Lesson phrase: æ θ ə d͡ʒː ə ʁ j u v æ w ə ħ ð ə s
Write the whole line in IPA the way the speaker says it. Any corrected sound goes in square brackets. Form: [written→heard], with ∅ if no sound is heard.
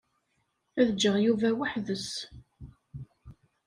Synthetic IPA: æ [θ→ð] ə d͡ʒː ə ʁ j u v æ w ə ħ ð ə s